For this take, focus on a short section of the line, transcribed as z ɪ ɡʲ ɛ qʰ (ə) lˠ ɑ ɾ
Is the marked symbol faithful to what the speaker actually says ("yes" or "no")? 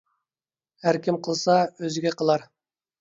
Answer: yes